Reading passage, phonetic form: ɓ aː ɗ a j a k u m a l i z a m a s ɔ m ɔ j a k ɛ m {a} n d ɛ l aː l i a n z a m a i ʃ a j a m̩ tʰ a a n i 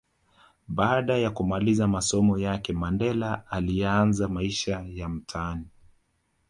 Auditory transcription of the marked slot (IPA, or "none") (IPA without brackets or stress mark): a